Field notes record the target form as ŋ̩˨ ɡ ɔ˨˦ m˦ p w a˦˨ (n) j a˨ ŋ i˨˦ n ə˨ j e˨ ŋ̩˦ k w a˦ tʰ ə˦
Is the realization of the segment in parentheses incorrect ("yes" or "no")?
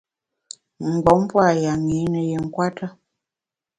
yes